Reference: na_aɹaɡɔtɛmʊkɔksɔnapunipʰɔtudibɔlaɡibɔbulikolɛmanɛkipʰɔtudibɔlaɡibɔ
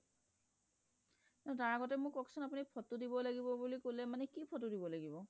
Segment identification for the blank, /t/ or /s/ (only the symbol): t